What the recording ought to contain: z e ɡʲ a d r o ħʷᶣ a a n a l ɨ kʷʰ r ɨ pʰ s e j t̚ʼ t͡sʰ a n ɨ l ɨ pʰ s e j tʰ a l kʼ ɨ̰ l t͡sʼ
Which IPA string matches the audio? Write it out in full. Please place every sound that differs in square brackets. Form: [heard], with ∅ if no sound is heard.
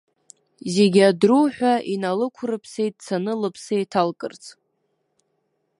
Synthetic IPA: z e ɡʲ a d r [u] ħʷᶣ a [i] n a l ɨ kʷʰ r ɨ pʰ s e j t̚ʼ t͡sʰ a n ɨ l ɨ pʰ s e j tʰ a l kʼ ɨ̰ [r] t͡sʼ